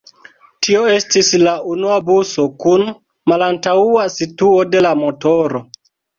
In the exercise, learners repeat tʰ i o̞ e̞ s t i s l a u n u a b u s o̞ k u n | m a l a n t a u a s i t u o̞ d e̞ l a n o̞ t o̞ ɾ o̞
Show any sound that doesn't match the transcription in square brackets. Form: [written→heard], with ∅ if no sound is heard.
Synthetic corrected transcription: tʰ i o̞ e̞ s t i s l a u n u a b u s o̞ k u n | m a l a n t a u a s i t u o̞ d e̞ l a [n→m] o̞ t o̞ ɾ o̞